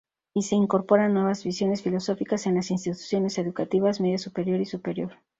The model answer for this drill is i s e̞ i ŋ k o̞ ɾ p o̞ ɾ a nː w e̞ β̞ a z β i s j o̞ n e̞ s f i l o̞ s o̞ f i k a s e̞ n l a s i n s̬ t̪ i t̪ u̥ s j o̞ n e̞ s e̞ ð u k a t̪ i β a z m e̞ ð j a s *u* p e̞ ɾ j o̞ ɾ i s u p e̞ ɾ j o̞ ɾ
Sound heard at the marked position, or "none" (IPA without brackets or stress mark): u